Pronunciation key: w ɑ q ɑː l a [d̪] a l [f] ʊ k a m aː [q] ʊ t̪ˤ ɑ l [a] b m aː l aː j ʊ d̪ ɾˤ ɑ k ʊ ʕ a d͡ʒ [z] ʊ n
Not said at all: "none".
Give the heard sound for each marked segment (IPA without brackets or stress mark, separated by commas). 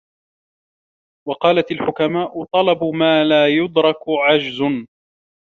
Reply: t̪, ħ, ʔ, ɑ, z